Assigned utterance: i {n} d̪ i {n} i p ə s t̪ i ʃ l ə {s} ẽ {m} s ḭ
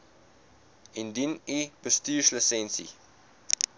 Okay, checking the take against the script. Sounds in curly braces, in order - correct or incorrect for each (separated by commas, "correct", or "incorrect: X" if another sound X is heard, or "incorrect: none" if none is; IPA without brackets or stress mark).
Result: correct, correct, correct, incorrect: n